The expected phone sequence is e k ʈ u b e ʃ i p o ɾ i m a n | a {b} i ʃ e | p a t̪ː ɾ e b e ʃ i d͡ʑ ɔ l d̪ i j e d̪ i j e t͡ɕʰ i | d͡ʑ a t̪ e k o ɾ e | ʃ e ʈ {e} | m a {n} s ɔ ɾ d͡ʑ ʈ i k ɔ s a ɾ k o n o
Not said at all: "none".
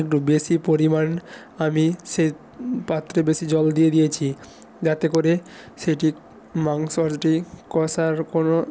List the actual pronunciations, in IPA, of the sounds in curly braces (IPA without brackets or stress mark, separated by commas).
m, i, ŋ